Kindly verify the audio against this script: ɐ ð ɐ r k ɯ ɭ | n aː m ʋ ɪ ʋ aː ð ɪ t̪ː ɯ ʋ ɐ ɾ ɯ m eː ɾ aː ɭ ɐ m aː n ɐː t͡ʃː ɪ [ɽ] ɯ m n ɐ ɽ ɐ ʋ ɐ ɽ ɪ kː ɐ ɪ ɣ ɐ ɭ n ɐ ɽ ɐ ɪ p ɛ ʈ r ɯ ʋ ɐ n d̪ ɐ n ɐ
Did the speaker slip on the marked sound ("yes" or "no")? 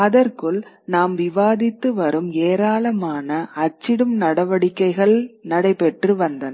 no